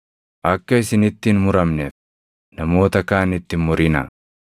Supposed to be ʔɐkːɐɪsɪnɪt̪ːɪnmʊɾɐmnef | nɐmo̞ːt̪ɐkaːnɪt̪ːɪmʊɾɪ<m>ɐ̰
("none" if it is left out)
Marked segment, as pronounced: n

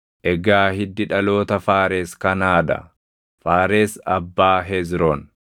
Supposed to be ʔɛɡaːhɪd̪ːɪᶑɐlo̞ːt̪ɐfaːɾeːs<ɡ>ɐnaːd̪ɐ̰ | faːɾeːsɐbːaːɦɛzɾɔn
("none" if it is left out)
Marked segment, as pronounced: k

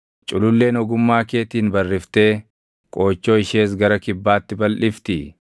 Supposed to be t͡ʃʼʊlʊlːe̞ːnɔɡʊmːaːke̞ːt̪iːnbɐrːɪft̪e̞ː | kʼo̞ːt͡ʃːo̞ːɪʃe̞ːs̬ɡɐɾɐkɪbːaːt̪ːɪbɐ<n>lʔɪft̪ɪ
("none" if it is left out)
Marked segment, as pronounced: none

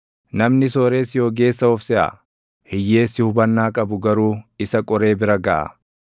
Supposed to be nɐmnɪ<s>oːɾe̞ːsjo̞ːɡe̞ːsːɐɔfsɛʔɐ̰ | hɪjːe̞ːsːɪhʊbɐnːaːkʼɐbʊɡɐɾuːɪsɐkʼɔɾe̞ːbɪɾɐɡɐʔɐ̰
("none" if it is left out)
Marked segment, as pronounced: s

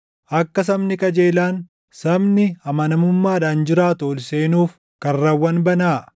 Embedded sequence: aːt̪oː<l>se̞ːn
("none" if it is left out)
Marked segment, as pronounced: l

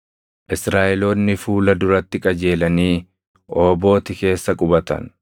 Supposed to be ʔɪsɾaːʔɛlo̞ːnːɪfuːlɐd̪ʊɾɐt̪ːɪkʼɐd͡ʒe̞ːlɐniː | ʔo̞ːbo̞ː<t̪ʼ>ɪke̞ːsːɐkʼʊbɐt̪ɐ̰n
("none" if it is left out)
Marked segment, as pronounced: t̪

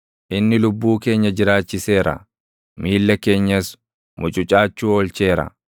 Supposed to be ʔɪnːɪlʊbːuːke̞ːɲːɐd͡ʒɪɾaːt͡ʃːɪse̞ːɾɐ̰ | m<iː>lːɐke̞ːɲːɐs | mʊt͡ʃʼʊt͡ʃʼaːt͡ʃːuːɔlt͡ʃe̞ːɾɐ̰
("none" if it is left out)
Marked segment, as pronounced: iː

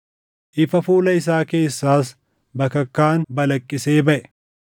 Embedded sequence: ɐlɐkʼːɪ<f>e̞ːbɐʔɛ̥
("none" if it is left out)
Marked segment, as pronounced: s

